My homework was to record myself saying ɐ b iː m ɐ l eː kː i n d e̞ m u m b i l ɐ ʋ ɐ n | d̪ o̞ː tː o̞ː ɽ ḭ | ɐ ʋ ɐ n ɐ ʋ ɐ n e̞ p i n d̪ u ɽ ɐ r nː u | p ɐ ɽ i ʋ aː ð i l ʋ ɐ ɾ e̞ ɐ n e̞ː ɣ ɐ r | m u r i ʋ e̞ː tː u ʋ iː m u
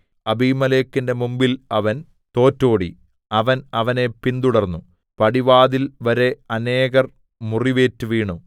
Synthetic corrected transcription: ɐ b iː m ɐ l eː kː i n d e̞ m u m b i l ɐ ʋ ɐ n | t̪ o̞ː tː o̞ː ɽ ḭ | ɐ ʋ ɐ n ɐ ʋ ɐ n e̞ p i n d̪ u ɽ ɐ r nː u | p ɐ ɽ i ʋ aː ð i l ʋ ɐ ɾ e̞ ɐ n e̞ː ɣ ɐ r | m u r i ʋ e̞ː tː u ʋ iː ɳ u